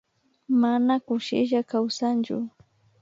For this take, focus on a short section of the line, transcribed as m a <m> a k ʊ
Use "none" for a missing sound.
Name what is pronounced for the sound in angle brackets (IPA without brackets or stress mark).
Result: n